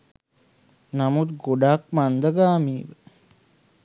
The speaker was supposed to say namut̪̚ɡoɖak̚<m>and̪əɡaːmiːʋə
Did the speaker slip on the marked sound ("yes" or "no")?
no